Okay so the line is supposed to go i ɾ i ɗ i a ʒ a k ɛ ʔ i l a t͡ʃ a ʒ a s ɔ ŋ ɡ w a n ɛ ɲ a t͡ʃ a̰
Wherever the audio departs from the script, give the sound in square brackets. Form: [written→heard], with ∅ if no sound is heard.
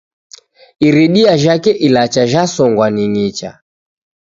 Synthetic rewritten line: i ɾ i ɗ i a ʒ a k ɛ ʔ i l a t͡ʃ a ʒ a s ɔ ŋ ɡ w a n [ɛ→i] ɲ [a→i] t͡ʃ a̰